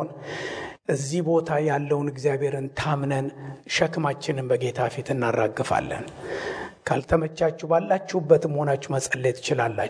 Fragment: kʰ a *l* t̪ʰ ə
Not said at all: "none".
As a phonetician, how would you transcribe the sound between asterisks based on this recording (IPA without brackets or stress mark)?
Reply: l